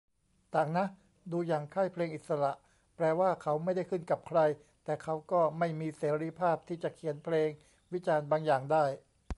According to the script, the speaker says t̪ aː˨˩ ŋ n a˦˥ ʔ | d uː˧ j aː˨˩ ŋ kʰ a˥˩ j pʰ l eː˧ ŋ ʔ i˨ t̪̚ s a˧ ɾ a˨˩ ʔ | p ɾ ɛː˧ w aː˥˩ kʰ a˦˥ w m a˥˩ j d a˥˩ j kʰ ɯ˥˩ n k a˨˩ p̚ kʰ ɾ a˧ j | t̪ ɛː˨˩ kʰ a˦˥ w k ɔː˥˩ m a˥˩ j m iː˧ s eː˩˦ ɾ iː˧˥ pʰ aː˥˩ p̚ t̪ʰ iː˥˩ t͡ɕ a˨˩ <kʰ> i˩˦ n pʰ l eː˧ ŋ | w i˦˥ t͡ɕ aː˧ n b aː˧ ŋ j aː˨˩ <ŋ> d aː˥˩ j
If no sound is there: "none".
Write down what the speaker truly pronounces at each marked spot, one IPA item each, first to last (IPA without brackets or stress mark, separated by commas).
kʰ, ŋ